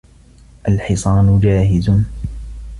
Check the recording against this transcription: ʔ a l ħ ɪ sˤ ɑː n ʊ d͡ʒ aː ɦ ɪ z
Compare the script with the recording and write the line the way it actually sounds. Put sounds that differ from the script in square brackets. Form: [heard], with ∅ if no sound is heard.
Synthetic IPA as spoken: ʔ a l ħ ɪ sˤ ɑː n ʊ d͡ʒ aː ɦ ɪ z